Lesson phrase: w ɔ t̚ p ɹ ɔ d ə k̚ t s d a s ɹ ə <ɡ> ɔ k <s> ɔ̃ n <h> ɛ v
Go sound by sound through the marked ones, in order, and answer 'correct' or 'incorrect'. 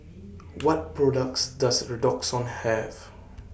incorrect, correct, correct

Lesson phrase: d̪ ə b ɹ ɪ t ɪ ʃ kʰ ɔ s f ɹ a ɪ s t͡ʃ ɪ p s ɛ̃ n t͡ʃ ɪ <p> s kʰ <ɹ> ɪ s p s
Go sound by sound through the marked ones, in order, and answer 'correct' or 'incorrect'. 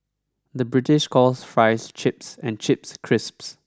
correct, correct

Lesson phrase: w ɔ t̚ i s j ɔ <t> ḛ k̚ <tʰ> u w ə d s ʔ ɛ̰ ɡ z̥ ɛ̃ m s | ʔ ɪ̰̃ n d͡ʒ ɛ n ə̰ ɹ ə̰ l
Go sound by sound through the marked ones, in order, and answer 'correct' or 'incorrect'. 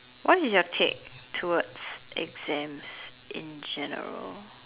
incorrect, correct

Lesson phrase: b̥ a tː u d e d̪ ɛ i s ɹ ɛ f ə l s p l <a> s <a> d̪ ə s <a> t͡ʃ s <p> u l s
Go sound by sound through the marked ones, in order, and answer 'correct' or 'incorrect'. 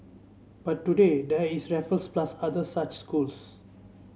correct, correct, correct, incorrect

